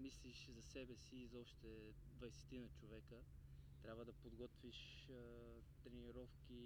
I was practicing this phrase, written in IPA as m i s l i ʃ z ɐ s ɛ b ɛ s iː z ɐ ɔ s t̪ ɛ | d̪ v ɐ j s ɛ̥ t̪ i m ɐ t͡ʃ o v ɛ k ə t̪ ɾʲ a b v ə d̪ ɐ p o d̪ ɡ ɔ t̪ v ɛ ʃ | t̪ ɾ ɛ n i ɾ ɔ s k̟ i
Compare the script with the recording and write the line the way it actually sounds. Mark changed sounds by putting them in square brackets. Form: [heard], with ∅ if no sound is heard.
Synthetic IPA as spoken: m i s l i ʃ z ɐ s ɛ b ɛ s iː z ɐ ɔ [ʃ] t̪ ɛ | d̪ v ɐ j s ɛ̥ t̪ i [n] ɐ t͡ʃ o v ɛ k ə t̪ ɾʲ a b v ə d̪ ɐ p o d̪ ɡ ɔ t̪ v [i] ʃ | t̪ ɾ ɛ n i ɾ ɔ [f] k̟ i